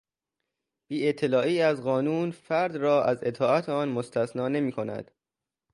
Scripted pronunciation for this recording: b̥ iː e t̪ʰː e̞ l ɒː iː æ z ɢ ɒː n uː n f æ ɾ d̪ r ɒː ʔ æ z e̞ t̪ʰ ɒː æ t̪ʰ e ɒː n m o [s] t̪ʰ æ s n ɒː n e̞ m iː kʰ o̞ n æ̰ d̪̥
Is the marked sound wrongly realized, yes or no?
no